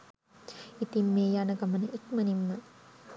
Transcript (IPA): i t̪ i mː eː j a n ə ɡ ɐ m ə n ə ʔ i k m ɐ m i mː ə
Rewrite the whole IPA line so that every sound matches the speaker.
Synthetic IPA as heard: i t̪ i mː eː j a n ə ɡ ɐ m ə n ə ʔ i k m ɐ n i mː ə